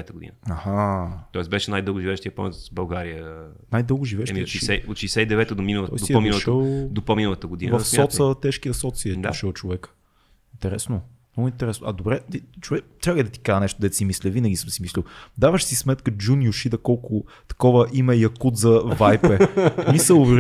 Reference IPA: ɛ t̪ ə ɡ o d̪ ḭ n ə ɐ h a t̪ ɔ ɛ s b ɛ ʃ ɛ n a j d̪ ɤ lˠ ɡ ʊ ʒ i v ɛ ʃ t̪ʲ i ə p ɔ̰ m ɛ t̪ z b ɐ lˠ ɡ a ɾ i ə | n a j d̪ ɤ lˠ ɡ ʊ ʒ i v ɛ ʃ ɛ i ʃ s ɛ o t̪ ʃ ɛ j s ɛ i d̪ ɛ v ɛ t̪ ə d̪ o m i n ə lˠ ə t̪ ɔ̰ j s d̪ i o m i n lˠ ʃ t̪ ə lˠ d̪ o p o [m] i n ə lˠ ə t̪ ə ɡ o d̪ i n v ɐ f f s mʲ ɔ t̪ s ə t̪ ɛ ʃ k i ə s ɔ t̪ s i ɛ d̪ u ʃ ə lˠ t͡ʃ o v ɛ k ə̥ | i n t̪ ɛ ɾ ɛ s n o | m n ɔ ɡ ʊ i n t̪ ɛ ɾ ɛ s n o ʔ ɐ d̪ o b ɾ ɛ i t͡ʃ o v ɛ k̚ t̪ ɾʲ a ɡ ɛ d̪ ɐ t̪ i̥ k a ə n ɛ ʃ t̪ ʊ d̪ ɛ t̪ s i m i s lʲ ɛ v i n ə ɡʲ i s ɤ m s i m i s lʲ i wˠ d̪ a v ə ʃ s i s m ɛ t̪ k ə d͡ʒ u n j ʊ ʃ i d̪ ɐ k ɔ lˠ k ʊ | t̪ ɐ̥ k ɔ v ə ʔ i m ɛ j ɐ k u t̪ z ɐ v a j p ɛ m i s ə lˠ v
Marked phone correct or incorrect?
correct